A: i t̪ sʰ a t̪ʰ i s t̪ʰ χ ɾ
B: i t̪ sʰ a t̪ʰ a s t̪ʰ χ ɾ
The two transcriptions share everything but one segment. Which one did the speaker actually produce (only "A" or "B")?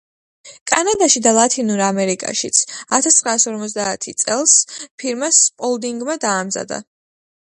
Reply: B